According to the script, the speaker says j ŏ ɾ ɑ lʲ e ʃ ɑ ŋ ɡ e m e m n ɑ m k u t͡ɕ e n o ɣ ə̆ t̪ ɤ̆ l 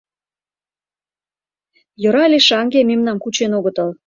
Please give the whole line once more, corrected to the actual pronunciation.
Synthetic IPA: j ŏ ɾ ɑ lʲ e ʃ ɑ ŋ ɡ e m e m n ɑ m k u t͡ɕ e n o ɣ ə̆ t̪ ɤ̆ l